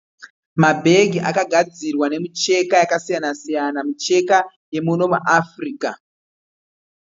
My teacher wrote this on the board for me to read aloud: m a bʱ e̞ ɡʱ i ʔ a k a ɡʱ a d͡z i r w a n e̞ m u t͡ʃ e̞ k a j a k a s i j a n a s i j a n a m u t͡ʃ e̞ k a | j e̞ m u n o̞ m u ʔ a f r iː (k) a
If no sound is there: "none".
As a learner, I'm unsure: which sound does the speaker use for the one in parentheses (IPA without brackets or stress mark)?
k